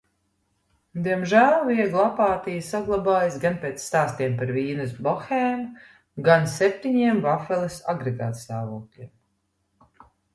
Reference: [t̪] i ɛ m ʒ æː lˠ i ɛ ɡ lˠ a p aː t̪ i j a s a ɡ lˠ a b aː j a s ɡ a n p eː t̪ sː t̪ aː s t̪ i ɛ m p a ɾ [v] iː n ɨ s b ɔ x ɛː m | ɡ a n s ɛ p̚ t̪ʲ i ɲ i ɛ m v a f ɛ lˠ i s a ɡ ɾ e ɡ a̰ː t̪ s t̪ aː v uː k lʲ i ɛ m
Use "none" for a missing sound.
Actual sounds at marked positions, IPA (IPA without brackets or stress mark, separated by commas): d̪, v